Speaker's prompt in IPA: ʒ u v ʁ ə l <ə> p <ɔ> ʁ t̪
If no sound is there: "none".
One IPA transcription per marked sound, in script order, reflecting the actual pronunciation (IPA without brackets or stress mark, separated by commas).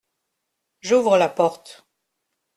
a, ɔ